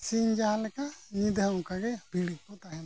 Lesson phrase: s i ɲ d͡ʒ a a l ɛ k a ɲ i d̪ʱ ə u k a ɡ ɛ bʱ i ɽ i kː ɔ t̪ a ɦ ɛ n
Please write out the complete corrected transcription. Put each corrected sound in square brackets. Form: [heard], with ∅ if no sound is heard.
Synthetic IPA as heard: s i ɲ d͡ʒ a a l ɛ k a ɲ i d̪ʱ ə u k a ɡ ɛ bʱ i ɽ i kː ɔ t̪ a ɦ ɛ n